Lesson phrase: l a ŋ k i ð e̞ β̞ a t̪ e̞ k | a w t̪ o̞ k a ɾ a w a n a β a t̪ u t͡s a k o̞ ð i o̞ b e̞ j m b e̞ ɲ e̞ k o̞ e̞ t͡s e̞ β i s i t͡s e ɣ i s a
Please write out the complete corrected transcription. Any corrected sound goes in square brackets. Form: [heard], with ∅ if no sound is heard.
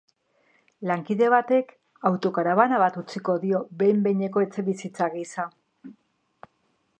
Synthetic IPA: l a ŋ k i ð e̞ β̞ a t̪ e̞ k | a w t̪ o̞ k a ɾ a [β] a n a β a t̪ u t͡s [i] k o̞ ð i o̞ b e̞ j m b e̞ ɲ e̞ k o̞ e̞ t͡s e̞ β i s i t͡s [a] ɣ i s a